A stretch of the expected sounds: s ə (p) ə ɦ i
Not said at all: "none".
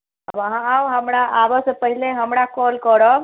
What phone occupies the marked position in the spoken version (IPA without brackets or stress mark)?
p